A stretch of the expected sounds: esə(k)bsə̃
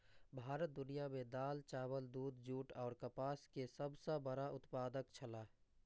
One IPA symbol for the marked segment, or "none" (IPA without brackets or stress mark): none